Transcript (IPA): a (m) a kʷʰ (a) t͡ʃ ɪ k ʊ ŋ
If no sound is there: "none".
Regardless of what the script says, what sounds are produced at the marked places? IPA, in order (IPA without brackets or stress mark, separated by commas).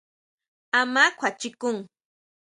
m, a